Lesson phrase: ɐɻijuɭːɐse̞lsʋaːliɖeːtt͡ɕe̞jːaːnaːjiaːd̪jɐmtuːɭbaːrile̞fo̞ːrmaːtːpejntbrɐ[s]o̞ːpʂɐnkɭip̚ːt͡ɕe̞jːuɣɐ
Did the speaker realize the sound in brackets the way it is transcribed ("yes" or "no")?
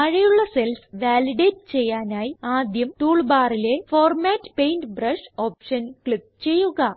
no